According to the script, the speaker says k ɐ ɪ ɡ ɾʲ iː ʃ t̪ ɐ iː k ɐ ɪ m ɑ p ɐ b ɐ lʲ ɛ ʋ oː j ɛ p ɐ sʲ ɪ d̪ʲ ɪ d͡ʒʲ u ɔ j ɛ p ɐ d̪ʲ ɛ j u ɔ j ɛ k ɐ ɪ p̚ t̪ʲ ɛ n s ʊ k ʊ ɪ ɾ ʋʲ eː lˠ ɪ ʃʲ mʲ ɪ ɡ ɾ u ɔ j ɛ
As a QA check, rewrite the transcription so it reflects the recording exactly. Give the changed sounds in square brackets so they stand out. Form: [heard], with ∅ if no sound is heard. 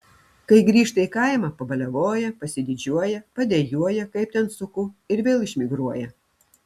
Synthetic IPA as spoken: k ɐ ɪ ɡ ɾʲ iː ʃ t̪ ɐ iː k ɐ ɪ m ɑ p ɐ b ɐ lʲ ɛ ʋ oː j ɛ p ɐ sʲ ɪ d̪ʲ ɪ d͡ʒʲ u ɔ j ɛ p ɐ d̪ʲ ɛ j u ɔ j ɛ k ɐ ɪ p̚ t̪ʲ ɛ n s ʊ k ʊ ɪ ɾ ʋʲ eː lˠ ɪ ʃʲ mʲ ɪ ɡ ɾ u ɔ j ɛ